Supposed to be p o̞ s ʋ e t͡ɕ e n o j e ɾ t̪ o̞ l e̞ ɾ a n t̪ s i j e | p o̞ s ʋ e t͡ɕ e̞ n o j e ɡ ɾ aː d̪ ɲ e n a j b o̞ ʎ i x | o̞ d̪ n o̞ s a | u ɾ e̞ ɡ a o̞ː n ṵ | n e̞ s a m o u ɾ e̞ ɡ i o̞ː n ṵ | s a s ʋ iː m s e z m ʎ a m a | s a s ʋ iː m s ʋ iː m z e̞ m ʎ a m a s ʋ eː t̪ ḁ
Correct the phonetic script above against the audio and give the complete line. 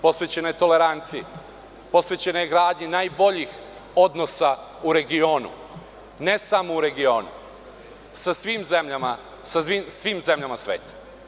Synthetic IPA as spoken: p o̞ s ʋ e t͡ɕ e n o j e t̪ o̞ l e̞ ɾ a n t̪ s i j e | p o̞ s ʋ e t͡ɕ e̞ n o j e ɡ ɾ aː d̪ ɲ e n a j b o̞ ʎ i x | o̞ d̪ n o̞ s a | u ɾ e̞ ɡ i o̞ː n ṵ | n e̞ s a m o u ɾ e̞ ɡ i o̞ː n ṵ | s a s ʋ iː m z e m ʎ a m a | s a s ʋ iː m s ʋ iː m z e̞ m ʎ a m a s ʋ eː t̪ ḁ